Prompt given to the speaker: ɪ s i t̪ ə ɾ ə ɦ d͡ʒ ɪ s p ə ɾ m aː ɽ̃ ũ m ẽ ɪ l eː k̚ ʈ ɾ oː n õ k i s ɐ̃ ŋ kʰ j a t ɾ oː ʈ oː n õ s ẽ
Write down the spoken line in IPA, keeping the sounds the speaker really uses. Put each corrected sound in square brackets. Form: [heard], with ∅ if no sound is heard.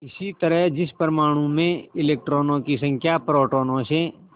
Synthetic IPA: ɪ s i t̪ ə ɾ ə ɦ d͡ʒ ɪ s p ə ɾ m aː ɽ̃ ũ m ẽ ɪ l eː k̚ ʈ ɾ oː n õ k i s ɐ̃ ŋ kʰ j a [p] ɾ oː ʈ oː n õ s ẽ